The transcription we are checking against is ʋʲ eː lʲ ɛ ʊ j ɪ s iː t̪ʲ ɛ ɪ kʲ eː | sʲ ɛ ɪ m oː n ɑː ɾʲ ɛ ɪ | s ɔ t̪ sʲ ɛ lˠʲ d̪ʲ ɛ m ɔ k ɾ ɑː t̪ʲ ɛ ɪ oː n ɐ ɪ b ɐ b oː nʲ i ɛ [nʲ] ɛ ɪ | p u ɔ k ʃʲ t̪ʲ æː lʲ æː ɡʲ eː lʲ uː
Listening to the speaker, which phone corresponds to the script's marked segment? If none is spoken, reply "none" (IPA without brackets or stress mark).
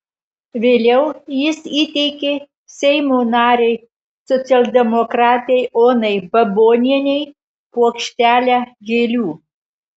nʲ